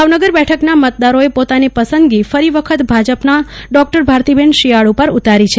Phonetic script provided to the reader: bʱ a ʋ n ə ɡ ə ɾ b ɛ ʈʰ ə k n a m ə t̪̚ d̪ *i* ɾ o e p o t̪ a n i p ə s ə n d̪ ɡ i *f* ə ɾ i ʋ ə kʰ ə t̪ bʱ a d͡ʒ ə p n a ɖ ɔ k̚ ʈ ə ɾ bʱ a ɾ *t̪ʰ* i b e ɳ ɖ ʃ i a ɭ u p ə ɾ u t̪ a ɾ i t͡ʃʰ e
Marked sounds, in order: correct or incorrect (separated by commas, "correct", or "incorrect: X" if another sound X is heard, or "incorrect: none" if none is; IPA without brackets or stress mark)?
incorrect: a, correct, incorrect: t̪